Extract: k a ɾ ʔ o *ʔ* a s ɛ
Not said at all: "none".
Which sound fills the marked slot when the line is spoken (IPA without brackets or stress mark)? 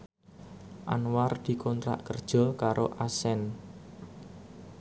ʔ